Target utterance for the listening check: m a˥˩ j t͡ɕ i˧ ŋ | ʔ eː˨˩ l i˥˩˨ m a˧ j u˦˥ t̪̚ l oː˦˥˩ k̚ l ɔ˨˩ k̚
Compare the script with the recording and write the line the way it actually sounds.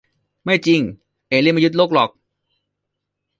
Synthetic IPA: m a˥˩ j t͡ɕ i˧ ŋ | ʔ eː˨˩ l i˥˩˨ m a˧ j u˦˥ t̪̚ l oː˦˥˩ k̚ l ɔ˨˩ k̚